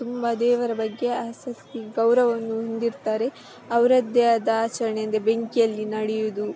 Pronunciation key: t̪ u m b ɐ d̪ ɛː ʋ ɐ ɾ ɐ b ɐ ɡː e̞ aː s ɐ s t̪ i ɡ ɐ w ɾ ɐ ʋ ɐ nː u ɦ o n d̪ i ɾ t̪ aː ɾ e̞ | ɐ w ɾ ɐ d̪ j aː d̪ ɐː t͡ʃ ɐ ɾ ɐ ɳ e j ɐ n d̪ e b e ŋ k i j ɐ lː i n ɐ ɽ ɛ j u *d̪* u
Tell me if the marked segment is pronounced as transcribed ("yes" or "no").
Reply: yes